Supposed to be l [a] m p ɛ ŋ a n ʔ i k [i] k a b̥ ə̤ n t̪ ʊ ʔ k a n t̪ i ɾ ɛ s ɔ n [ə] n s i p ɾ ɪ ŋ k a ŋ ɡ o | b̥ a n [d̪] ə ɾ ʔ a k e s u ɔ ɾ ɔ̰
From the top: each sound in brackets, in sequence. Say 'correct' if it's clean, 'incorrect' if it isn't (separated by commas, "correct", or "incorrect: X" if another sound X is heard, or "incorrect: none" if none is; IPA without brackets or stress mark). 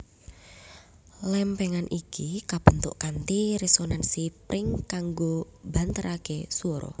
incorrect: ɛ, correct, incorrect: a, incorrect: t̪